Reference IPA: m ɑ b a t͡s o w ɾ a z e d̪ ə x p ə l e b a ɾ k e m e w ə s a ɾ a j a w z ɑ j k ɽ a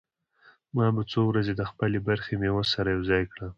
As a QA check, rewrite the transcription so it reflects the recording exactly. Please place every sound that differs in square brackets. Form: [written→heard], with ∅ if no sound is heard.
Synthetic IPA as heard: m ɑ b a t͡s o w ɾ a z e d̪ ə x p ə l e b a ɾ [k→x] e m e w ə s a ɾ a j a w z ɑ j k ɽ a